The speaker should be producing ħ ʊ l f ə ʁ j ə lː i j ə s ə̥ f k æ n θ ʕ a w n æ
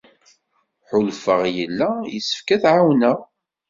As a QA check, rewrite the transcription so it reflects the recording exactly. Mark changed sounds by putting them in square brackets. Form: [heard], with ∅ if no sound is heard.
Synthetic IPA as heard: ħ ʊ l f ə ʁ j ə lː [æ] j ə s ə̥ f k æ [∅] θ ʕ a w n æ